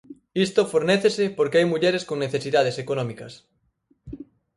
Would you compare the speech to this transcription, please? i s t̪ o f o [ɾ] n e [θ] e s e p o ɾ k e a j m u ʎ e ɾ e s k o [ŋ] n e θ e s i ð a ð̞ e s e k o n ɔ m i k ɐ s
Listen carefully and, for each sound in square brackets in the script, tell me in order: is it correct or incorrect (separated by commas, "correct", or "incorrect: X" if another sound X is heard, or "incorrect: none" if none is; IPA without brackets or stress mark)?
correct, correct, correct